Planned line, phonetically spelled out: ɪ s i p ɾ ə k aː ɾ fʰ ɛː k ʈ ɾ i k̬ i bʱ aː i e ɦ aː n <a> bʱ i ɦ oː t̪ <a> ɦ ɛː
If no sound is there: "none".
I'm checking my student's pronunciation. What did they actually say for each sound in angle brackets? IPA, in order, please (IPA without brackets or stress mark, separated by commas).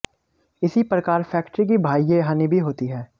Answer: i, i